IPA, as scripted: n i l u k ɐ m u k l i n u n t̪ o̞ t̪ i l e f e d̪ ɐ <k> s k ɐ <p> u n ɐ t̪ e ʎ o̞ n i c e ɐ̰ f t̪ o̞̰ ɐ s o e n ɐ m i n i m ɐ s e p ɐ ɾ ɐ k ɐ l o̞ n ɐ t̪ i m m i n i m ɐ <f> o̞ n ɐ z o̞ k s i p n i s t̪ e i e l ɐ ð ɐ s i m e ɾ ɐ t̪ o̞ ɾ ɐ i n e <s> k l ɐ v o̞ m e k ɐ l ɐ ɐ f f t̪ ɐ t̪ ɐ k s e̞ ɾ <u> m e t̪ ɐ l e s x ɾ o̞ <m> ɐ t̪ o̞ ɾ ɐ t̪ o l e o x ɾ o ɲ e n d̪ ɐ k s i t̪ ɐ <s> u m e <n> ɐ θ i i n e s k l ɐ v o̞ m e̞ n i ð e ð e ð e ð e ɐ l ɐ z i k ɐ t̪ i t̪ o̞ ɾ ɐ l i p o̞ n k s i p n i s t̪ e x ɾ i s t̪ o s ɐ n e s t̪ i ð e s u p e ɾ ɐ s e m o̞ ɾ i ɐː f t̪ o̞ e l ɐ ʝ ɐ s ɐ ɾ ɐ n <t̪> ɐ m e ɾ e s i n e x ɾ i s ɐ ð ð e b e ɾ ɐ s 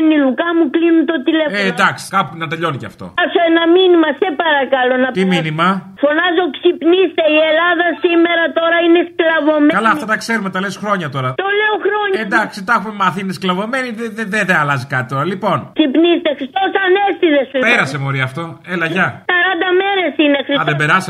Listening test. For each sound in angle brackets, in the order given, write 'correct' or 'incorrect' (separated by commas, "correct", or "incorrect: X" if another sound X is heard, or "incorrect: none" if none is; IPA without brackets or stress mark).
correct, correct, correct, correct, correct, incorrect: ɲ, incorrect: x, incorrect: m, incorrect: d̪